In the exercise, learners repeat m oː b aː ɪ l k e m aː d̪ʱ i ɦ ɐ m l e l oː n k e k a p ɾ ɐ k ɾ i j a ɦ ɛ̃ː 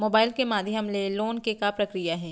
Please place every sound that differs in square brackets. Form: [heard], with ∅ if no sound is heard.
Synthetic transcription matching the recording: m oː b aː ɪ l k e m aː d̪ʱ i ɦ ɐ m l e l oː n k e k a p ɾ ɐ k ɾ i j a ɦ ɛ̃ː

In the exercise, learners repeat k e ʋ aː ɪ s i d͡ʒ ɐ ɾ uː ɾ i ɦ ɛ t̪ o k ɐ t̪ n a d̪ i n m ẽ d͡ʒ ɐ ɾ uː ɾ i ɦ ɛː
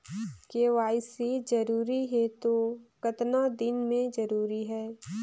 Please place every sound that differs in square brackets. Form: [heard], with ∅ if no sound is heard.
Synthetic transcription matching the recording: k e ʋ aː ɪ s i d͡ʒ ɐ ɾ uː ɾ i ɦ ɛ t̪ o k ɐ t̪ n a d̪ [ɪ] n m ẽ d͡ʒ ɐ ɾ uː ɾ i ɦ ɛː

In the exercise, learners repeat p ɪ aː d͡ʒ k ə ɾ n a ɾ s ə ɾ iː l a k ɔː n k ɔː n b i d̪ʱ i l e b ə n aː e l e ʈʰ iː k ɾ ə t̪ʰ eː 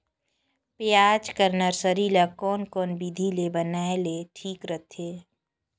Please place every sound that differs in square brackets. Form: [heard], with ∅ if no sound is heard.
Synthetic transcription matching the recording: p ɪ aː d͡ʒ k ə ɾ n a ɾ s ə ɾ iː l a k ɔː n k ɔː n b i d̪ʱ i l e b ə n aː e l e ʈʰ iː k ɾ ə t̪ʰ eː

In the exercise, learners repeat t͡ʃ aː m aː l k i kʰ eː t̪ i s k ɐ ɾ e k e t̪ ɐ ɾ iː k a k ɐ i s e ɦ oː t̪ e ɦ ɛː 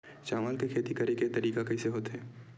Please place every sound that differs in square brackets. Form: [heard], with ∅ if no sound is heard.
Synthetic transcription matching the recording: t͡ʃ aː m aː l k [e] kʰ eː t̪ i [∅] k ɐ ɾ e k e t̪ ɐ ɾ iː k a k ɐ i s e ɦ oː t̪ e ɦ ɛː

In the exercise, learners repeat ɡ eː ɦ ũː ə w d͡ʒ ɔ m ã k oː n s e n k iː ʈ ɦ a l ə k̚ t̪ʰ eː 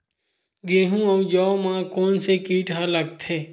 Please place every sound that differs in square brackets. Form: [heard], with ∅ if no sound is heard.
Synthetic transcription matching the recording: ɡ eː ɦ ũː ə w d͡ʒ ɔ m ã k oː n s e [∅] k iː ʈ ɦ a l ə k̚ t̪ʰ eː

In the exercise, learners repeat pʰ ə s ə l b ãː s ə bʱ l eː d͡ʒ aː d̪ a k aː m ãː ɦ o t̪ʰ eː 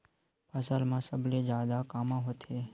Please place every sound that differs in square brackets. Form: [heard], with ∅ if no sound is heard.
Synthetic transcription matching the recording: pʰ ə s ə l [m] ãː s ə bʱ l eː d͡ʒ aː d̪ a k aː m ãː ɦ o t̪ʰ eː

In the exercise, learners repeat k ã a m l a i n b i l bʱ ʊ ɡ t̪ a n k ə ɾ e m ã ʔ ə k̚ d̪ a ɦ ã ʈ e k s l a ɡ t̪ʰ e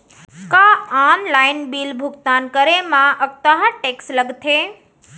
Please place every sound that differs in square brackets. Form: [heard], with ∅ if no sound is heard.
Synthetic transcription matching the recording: k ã a m l a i n b i l bʱ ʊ ɡ t̪ a n k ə ɾ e m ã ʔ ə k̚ [t̪] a ɦ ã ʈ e k s l [ə] ɡ t̪ʰ e

